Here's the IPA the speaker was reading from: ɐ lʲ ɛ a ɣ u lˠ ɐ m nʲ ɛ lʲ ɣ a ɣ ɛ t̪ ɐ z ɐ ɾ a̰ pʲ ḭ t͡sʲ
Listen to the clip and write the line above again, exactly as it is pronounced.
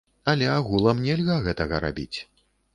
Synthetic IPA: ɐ lʲ ɛ a ɣ u lˠ ɐ m nʲ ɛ lʲ ɣ a ɣ ɛ t̪ ɐ ɣ ɐ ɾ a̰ bʲ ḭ t͡sʲ